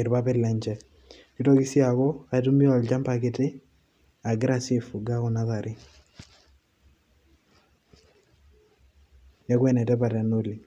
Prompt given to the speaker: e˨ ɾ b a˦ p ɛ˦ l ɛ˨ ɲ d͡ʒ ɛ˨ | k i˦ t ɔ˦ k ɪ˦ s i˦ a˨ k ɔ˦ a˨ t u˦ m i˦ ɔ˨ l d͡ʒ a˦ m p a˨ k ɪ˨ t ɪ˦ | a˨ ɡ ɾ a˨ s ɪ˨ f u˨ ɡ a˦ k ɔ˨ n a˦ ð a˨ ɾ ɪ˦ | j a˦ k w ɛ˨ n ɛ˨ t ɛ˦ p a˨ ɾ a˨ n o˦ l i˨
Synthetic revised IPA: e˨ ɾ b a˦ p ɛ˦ l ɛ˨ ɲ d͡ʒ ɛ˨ | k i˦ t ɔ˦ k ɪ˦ s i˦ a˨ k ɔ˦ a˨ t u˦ m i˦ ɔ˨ l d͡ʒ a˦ m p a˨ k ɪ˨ t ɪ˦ | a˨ ɡ ɾ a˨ s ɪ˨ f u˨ ɡ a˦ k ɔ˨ n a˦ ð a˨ ɾ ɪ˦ | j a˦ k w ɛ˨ n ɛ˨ t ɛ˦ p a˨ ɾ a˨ n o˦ l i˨